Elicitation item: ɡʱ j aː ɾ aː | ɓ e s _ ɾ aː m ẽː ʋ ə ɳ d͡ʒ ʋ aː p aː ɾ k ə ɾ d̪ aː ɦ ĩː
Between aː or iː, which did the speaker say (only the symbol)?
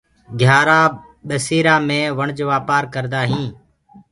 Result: iː